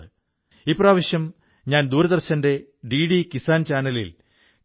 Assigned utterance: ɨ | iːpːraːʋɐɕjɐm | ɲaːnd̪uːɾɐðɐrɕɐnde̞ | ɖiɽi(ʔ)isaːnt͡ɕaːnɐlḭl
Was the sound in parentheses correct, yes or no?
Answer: no